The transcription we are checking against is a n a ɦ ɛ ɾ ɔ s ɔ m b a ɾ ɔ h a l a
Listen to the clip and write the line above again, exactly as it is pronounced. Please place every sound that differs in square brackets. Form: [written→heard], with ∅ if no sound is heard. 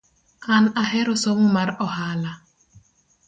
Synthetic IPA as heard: a n a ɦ ɛ ɾ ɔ s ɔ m [b→m] a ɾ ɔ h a l a